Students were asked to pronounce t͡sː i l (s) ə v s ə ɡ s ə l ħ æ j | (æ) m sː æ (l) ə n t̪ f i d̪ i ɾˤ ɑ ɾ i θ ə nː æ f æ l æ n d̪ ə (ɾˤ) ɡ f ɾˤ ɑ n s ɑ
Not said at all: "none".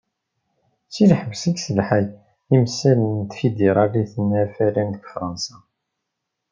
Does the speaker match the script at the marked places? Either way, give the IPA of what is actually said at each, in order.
ħ, i, l, none

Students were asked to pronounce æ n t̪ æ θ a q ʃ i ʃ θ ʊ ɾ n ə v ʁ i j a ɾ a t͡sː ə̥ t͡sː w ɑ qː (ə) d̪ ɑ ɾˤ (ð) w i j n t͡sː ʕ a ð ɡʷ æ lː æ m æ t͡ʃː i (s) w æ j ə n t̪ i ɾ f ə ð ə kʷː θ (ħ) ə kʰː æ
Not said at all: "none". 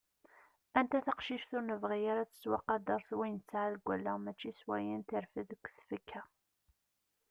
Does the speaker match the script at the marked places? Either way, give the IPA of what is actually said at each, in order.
ɑ, θ, s, f

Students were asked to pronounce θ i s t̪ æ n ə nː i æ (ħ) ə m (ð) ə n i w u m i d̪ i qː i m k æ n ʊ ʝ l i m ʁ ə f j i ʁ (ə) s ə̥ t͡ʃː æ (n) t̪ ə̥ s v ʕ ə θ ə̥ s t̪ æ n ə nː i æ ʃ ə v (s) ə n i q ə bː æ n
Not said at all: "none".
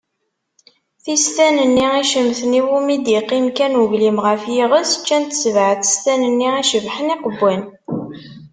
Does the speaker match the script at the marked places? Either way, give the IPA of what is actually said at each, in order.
ʃ, θ, ə, n, ħ

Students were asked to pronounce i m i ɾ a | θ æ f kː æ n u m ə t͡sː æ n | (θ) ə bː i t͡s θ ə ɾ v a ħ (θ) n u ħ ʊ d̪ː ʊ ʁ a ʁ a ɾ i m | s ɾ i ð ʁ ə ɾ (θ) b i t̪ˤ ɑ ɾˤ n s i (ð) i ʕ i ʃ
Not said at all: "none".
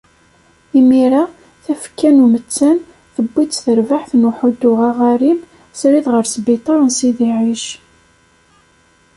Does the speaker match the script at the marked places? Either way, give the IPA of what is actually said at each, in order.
θ, θ, s, ð

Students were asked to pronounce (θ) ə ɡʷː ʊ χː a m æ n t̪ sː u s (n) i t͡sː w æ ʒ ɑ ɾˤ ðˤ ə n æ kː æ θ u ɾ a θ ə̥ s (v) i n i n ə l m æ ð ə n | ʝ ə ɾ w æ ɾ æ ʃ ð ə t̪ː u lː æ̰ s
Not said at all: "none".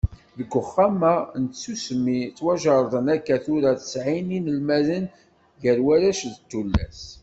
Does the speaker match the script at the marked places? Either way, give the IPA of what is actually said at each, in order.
ð, m, ʕ

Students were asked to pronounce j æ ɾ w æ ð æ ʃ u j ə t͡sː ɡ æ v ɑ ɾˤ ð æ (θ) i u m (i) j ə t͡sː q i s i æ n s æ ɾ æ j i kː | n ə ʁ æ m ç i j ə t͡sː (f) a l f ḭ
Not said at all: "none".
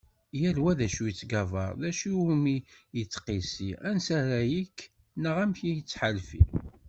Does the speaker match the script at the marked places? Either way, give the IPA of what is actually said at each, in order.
ʃ, i, ħ

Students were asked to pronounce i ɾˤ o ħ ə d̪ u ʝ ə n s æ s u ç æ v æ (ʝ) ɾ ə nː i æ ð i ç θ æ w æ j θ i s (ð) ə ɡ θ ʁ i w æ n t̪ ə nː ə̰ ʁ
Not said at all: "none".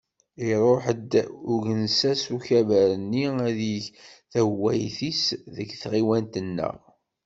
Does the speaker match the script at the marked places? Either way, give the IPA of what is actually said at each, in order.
none, ð

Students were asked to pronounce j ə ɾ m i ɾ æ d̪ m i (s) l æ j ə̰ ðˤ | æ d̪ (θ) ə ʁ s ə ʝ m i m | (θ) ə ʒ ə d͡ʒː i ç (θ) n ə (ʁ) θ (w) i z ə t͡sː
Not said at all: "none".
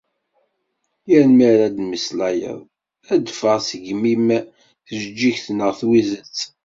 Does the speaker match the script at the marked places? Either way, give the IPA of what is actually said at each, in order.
s, f, θ, θ, ʁ, w

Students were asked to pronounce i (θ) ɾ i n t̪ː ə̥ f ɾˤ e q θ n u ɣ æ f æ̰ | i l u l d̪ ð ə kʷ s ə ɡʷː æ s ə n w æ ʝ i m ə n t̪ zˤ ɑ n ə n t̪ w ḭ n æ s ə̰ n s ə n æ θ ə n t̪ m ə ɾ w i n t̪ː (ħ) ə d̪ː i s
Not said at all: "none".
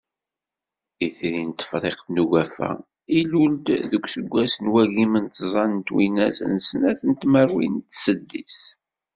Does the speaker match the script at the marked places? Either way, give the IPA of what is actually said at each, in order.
θ, s

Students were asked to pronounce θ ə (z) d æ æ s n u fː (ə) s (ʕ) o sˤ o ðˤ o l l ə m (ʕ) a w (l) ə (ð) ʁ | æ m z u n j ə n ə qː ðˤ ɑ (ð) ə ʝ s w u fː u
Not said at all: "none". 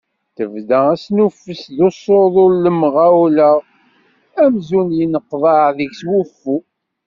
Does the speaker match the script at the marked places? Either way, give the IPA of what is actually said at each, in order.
v, ə, ð, ʁ, l, none, ð

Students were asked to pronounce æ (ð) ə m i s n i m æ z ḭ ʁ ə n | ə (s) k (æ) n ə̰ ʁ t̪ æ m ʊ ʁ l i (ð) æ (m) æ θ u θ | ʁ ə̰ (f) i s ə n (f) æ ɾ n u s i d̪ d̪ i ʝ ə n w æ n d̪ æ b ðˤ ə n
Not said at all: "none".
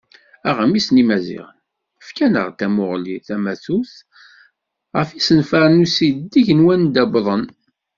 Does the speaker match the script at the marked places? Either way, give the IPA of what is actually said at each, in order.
ʁ, f, æ, θ, m, f, f

